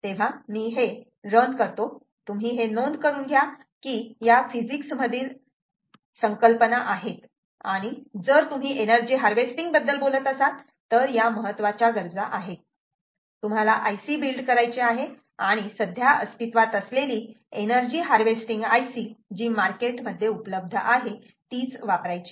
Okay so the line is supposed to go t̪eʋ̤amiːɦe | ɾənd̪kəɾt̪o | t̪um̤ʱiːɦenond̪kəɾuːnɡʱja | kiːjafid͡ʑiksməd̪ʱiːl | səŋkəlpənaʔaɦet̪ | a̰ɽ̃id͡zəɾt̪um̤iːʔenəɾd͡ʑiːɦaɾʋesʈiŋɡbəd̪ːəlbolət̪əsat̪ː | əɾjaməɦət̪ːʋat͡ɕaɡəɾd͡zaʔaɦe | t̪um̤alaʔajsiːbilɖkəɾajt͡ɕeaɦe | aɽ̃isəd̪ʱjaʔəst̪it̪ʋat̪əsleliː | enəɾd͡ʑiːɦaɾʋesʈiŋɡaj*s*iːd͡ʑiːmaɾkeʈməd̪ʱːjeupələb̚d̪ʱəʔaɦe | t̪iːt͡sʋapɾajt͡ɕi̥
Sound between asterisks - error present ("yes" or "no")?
no